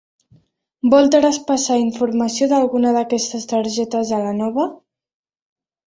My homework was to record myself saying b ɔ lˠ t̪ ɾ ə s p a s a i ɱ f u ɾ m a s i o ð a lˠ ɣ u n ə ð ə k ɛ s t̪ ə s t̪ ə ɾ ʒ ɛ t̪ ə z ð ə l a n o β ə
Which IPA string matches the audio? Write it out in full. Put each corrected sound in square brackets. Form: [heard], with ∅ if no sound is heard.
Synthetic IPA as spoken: b ɔ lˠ t̪ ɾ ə s p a s a i ɱ f u ɾ m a s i o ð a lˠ ɣ u n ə ð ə k ɛ s t̪ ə s t̪ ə ɾ ʒ ɛ t̪ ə z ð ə l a n [ɔ] β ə